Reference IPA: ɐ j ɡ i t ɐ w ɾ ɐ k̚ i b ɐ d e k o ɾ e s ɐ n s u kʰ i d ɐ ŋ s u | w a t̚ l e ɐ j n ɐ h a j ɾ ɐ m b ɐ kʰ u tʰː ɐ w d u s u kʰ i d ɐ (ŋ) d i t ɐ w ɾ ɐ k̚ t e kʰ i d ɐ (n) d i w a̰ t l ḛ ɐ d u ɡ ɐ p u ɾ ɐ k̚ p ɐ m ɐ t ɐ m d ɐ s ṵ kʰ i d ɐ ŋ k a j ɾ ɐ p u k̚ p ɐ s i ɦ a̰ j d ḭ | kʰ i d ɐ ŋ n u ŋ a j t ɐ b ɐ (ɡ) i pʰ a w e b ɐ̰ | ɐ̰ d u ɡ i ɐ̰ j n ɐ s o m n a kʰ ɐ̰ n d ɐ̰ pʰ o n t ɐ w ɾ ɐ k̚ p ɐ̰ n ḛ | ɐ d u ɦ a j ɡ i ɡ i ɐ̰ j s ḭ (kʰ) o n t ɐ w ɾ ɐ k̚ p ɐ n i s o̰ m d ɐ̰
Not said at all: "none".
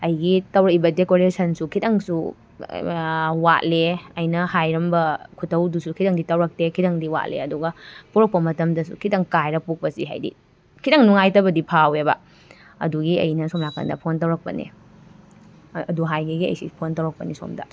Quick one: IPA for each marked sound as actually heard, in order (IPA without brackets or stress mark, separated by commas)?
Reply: ŋ, ŋ, d, pʰ